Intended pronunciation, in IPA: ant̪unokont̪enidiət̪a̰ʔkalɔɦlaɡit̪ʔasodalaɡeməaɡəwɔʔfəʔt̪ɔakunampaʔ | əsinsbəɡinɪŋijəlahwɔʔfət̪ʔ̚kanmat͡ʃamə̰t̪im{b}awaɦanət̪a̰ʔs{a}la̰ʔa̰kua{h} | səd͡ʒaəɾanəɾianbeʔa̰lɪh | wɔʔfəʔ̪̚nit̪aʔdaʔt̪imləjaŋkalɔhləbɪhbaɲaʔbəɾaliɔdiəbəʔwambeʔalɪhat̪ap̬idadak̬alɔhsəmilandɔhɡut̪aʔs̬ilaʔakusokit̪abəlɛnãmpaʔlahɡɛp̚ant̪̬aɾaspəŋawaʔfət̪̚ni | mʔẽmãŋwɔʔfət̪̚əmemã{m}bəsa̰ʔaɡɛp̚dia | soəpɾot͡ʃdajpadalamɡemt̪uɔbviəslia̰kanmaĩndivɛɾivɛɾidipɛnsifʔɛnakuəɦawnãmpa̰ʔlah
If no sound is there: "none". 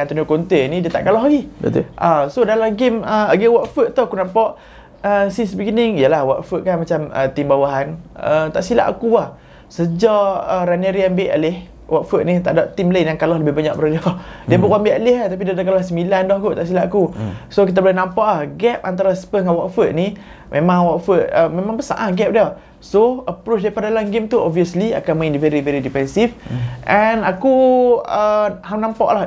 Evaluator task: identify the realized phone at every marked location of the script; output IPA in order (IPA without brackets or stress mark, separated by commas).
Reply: b, i, h, ŋ